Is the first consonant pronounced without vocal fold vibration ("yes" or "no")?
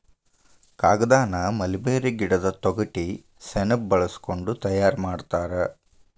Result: yes